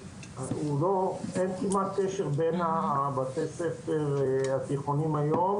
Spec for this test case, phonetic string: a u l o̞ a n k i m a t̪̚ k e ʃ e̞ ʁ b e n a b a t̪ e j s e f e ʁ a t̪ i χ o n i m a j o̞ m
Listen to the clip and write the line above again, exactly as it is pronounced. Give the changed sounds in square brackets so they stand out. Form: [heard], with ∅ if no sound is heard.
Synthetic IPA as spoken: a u l o̞ [e] n k i m a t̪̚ k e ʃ e̞ ʁ b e n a b a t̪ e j s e f e ʁ a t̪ i χ o n i m a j o̞ m